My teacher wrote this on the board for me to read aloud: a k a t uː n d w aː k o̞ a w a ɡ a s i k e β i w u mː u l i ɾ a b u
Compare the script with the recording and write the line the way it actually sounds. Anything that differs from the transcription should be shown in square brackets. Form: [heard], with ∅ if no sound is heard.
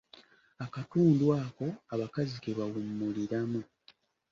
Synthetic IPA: a k a t uː n d w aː k o̞ a [β] a [k] a [z] i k e β [a] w u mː u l i ɾ a [m] u